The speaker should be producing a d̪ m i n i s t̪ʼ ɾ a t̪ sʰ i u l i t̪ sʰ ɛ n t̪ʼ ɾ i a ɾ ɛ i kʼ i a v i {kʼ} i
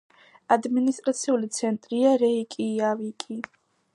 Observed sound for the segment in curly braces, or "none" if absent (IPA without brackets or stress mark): kʼ